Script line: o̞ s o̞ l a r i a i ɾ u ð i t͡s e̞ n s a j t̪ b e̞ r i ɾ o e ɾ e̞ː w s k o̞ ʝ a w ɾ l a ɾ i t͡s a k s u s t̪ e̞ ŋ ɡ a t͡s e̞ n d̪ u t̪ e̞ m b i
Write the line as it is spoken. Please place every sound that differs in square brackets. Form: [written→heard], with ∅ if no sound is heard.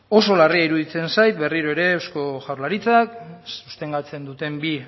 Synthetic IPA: o̞ s o̞ l a r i a i ɾ u ð i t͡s e̞ n s a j t̪ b e̞ r i ɾ o e ɾ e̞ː w s k o̞ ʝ a w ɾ l a ɾ i t͡s a k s u s t̪ e̞ ŋ ɡ a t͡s e̞ n d̪ u t̪ e̞ m b i